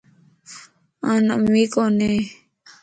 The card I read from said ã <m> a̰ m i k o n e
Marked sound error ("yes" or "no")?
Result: yes